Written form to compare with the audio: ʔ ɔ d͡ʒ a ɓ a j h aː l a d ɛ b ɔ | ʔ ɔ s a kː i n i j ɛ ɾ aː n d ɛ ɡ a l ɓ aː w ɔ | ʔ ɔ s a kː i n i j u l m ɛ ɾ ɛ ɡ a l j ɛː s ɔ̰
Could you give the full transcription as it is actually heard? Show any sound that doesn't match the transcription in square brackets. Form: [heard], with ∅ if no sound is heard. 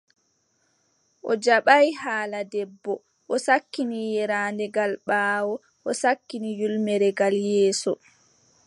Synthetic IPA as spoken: ʔ ɔ d͡ʒ a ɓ a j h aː l a d ɛ [bː] ɔ | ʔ ɔ s a kː i n i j ɛ ɾ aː n d ɛ ɡ a l ɓ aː w ɔ | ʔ ɔ s a kː i n i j u l m ɛ ɾ ɛ ɡ a l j ɛː s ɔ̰